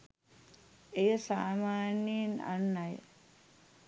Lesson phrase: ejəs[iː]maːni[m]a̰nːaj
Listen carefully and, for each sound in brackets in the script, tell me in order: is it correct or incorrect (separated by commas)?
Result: incorrect, incorrect